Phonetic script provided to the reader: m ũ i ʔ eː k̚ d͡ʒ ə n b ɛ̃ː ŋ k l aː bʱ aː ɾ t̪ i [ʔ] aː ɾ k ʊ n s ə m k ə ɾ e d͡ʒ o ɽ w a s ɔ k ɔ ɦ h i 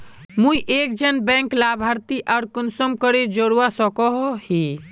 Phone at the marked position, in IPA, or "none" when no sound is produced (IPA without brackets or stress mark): ʔ